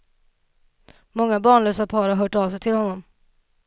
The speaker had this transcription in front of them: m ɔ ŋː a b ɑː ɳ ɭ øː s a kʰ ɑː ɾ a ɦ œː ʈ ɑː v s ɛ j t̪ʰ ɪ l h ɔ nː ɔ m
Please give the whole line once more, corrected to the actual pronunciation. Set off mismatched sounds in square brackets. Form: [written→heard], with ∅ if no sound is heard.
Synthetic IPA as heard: m ɔ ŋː a b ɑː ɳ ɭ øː s a [kʰ→pʰ] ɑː ɾ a ɦ œː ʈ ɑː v s ɛ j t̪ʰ ɪ l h ɔ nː ɔ m

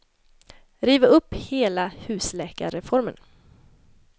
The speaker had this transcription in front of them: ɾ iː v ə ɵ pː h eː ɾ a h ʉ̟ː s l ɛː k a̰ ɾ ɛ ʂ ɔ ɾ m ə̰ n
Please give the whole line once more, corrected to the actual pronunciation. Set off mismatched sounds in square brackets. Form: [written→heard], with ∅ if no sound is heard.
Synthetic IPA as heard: ɾ iː v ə ɵ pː h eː [ɾ→l] a h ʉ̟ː s l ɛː k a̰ ɾ ɛ [ʂ→f] ɔ ɾ m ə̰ n

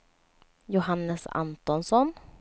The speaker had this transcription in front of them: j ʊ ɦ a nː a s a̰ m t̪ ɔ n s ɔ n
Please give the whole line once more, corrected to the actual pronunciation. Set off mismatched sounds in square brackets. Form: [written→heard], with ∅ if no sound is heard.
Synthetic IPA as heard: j ʊ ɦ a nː [a→ə] s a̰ [m→n] t̪ ɔ n s ɔ n

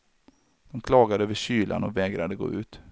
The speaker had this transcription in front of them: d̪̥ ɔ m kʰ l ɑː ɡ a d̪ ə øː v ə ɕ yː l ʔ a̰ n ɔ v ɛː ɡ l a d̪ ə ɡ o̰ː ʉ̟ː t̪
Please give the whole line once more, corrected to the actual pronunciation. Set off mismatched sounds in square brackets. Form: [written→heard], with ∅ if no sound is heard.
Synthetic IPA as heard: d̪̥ ɔ m kʰ l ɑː ɡ a d̪ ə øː v ə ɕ yː l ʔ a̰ n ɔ v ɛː ɡ [l→ɾ] a d̪ ə ɡ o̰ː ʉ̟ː t̪

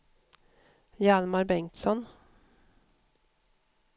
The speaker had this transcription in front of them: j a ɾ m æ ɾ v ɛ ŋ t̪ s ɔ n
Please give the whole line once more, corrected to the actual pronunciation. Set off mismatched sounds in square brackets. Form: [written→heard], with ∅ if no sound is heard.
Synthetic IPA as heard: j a [ɾ→l] m [æ→a] ɾ [v→b] ɛ ŋ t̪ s ɔ n

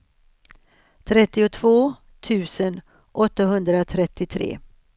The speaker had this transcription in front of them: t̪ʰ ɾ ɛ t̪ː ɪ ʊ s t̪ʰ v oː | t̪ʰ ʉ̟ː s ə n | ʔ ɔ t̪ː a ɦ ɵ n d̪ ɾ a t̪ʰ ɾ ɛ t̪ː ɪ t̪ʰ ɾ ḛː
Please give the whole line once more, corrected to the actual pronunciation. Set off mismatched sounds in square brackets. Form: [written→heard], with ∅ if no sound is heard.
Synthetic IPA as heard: t̪ʰ ɾ ɛ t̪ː ɪ ʊ [s→∅] t̪ʰ v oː | t̪ʰ ʉ̟ː s ə n | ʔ ɔ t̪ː a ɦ ɵ n d̪ ɾ a t̪ʰ ɾ ɛ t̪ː ɪ t̪ʰ ɾ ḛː

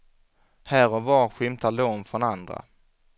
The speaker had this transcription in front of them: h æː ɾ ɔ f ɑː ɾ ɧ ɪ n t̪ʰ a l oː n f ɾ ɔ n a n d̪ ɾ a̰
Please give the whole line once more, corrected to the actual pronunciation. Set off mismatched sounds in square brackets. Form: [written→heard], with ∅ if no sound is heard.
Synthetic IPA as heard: h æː ɾ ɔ [f→v] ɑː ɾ ɧ ɪ [n→m] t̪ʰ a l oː n f ɾ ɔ n a n d̪ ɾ a̰

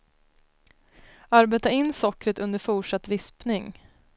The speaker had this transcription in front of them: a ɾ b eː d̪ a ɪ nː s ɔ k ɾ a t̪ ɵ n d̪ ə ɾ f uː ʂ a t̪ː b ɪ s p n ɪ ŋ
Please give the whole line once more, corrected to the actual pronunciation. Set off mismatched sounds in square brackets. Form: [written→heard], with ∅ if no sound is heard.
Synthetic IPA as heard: a ɾ b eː [d̪→t̪] a ɪ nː s ɔ k ɾ [a→ə] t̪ ɵ n d̪ ə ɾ f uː ʂ a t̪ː [b→v] ɪ s p n ɪ ŋ

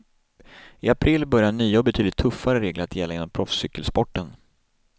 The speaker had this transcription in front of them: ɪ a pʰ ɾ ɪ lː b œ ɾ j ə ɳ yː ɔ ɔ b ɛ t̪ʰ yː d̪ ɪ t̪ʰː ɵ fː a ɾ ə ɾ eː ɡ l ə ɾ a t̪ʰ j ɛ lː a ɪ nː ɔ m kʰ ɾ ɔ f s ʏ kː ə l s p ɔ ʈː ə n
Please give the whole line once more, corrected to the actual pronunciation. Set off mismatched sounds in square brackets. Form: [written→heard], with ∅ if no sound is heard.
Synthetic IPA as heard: ɪ a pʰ ɾ ɪ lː b œ ɾ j [ə→a] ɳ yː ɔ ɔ b ɛ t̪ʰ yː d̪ ɪ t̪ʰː ɵ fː a ɾ ə ɾ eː ɡ l ə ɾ a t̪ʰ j ɛ lː a ɪ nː ɔ m [kʰ→pʰ] ɾ ɔ f s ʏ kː ə l s p ɔ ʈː ə n

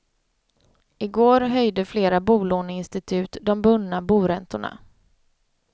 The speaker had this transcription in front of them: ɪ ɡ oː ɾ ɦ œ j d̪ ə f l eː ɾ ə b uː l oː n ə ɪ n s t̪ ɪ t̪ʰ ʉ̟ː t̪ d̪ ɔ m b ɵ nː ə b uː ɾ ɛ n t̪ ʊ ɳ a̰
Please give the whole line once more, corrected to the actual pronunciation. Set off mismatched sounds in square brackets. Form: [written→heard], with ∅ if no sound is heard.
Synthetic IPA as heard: ɪ ɡ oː ɾ ɦ œ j d̪ ə f l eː ɾ [ə→a] b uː l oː n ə ɪ n s t̪ ɪ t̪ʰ ʉ̟ː t̪ d̪ ɔ m b ɵ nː [ə→a] b uː ɾ ɛ n t̪ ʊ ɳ a̰

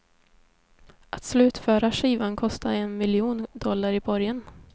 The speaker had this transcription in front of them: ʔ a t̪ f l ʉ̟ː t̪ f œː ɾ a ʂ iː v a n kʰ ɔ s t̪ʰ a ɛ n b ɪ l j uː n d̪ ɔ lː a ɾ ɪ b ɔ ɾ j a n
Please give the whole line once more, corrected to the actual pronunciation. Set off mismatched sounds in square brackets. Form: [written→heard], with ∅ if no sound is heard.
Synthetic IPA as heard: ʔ a t̪ [f→s] l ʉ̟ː t̪ f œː ɾ a ʂ iː v a n kʰ ɔ s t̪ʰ a ɛ n [b→m] ɪ l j uː n d̪ ɔ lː a ɾ ɪ b ɔ ɾ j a n

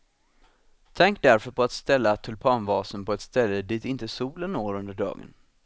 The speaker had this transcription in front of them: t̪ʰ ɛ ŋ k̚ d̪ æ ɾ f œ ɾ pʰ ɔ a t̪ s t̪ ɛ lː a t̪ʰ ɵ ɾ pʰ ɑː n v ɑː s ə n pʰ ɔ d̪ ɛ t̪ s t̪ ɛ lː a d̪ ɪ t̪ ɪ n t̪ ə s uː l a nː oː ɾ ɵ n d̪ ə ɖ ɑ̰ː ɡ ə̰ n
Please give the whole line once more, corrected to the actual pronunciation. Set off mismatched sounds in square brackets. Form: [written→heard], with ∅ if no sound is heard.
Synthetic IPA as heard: t̪ʰ ɛ ŋ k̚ d̪ æ ɾ f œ ɾ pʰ ɔ a t̪ s t̪ ɛ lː a t̪ʰ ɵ [ɾ→l] pʰ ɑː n v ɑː s ə n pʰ ɔ [d̪→∅] ɛ t̪ s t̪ ɛ lː [a→ə] d̪ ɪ t̪ ɪ n t̪ ə s uː l [a→ə] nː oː ɾ ɵ n d̪ ə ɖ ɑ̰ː ɡ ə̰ n

